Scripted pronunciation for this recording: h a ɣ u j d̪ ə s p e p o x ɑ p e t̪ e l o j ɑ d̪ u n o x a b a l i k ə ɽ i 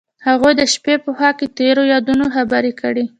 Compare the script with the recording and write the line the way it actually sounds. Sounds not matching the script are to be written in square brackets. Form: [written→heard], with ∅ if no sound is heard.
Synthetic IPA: h a ɣ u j d̪ ə [s→ʃ] p e p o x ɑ [p→k] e t̪ e [l→ɾ] o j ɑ d̪ u n o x a b a [l→ɾ] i k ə ɽ i